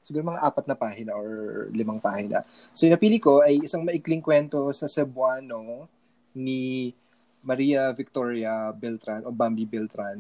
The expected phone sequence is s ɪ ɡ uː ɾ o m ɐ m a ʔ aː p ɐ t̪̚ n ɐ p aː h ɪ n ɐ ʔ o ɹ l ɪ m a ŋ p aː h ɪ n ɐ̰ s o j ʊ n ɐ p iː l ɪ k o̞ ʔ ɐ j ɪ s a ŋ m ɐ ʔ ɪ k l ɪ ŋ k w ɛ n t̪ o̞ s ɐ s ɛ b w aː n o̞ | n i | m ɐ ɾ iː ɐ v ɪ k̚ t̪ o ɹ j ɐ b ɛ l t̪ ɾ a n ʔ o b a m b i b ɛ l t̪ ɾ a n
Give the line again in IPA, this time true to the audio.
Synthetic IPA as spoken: s ɪ ɡ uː ɾ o m ɐ ŋ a ʔ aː p ɐ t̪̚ n ɐ p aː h ɪ n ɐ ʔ o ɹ l ɪ m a ŋ p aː h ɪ n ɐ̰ s o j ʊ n ɐ p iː l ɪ k o̞ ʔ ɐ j ɪ s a ŋ m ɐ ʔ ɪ k l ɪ ŋ k w ɛ n t̪ o̞ s ɐ s ɛ b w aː n o̞ | n i | m ɐ ɾ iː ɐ v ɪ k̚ t̪ o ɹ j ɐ b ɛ l t̪ ɾ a n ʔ o b a m b i b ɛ l t̪ ɾ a n